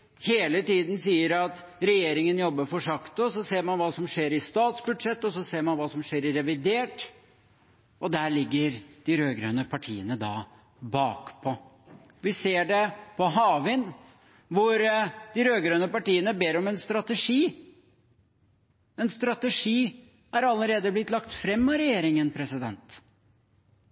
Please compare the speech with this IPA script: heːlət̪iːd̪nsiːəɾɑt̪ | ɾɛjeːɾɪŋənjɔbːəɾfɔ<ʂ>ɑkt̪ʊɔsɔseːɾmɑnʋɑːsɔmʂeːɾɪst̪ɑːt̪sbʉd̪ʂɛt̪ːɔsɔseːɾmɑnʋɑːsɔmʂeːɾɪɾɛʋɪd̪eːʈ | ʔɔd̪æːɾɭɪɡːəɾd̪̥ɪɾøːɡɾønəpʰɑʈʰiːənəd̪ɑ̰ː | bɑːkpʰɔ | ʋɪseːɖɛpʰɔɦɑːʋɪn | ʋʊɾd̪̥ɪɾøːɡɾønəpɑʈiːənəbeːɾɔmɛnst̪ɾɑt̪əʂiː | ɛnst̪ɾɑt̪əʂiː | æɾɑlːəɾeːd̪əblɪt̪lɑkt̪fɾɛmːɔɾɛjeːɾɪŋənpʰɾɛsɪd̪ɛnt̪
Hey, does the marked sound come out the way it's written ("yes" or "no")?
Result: yes